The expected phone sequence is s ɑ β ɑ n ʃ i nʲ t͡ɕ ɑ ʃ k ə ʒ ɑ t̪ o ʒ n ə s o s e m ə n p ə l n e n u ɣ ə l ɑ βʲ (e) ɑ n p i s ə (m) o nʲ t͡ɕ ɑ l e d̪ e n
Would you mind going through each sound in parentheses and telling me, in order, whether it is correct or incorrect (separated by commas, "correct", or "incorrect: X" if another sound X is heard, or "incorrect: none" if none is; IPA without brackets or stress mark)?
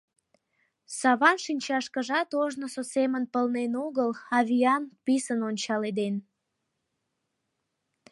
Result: incorrect: i, incorrect: n